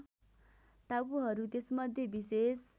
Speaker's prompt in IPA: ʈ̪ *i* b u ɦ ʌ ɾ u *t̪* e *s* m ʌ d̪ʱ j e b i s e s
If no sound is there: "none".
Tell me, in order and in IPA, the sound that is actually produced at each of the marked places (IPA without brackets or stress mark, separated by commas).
a, t̪, s